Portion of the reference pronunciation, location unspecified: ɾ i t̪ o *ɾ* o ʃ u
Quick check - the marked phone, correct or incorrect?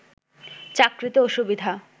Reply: incorrect